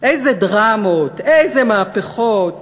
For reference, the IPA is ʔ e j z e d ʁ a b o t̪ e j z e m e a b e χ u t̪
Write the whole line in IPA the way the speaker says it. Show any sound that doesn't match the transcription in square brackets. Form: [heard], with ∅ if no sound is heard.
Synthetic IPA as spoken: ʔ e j z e d ʁ a [m] o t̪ e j z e m [a] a [p] e χ [o] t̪